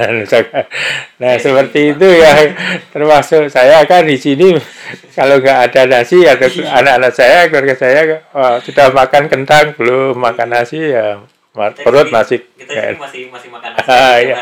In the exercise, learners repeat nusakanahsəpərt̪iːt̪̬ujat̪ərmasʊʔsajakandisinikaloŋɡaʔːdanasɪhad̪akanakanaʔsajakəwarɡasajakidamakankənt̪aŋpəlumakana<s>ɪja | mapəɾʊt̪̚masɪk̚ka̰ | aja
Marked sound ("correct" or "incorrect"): correct